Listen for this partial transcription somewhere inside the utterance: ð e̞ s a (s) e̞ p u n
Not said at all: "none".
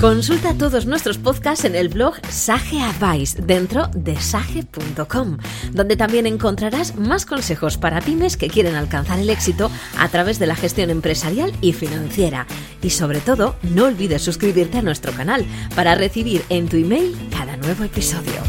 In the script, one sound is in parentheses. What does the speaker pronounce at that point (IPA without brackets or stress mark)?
x